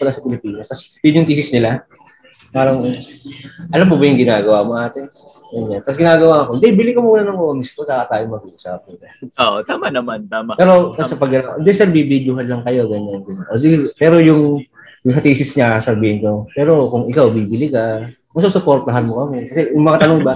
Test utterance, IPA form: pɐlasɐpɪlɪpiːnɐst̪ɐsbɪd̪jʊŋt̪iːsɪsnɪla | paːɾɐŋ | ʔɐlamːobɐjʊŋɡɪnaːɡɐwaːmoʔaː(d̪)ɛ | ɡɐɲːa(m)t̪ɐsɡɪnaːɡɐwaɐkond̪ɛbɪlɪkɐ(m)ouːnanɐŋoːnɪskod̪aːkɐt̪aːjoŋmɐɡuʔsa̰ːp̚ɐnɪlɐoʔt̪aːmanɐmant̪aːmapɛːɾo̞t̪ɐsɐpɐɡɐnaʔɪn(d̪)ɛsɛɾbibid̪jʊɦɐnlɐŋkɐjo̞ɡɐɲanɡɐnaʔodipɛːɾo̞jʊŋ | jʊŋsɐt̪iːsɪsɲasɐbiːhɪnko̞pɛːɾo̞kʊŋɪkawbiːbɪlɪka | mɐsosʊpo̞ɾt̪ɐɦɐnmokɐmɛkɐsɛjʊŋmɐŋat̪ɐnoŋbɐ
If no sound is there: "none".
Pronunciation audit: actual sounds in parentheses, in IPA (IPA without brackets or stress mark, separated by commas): t̪, n, m, d̪